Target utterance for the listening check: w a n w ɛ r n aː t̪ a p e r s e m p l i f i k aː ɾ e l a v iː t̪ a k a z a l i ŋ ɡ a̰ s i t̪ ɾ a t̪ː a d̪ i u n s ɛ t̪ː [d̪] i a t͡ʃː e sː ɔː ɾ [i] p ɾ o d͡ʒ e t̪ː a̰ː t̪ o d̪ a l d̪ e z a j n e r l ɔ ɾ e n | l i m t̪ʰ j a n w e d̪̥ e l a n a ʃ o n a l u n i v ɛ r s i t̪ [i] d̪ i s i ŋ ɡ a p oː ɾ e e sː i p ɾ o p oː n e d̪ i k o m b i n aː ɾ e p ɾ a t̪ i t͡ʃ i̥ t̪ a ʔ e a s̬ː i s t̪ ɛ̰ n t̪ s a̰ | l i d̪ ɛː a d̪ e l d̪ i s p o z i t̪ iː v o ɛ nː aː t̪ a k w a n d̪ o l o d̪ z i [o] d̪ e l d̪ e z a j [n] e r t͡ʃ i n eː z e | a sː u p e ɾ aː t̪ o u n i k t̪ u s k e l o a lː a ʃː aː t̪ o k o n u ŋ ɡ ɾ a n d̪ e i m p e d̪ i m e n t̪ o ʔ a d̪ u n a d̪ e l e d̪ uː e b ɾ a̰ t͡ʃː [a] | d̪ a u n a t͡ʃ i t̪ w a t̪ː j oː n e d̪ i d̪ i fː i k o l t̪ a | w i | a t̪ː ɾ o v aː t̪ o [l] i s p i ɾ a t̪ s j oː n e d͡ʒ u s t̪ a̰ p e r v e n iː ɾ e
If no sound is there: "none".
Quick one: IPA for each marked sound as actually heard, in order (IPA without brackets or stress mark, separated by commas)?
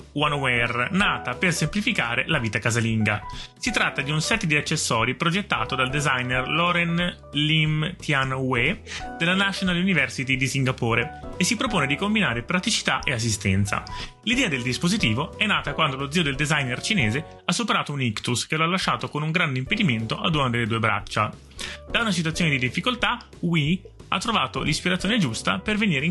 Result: d̪, i, i, o, n, a, l